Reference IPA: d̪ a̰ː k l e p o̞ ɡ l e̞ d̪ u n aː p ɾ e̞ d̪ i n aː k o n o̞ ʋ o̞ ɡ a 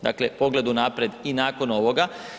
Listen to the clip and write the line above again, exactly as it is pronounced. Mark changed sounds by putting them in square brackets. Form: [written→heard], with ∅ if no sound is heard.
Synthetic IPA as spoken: d̪ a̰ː k l e p o̞ ɡ l e̞ d̪ u n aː p ɾ e̞ d̪ i n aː k o n o̞ ʋ o̞ ɡ a

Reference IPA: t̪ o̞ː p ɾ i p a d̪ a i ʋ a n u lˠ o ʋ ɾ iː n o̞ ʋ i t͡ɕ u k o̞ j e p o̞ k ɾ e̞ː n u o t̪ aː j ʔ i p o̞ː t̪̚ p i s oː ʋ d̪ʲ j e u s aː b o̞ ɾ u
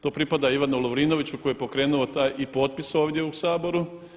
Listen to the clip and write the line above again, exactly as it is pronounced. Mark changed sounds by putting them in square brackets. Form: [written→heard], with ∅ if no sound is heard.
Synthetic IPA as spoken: t̪ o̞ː p ɾ i p a d̪ a i ʋ a n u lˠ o ʋ ɾ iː n o̞ ʋ i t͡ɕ u k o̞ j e p o̞ k ɾ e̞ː n u o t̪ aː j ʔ i p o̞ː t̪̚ p i s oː ʋ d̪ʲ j e u s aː b o̞ ɾ u

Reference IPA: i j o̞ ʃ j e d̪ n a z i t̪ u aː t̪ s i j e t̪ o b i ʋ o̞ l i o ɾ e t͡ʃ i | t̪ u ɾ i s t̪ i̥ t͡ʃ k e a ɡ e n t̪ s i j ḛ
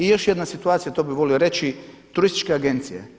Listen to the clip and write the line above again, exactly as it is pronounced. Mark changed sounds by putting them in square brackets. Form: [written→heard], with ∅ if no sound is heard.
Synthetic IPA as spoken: i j o̞ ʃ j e d̪ n a [z→s] i t̪ u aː t̪ s i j [e→a] t̪ o b i ʋ o̞ l i o ɾ e t͡ʃ i | t̪ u ɾ i s t̪ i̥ t͡ʃ k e a ɡ e n t̪ s i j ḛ

